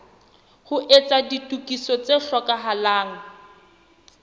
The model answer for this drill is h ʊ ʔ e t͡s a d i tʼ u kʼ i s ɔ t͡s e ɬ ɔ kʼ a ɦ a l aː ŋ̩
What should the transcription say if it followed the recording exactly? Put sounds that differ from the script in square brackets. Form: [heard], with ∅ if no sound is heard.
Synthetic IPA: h ʊ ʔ e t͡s a d i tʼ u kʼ i s ɔ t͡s e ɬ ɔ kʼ a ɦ a l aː ŋ̩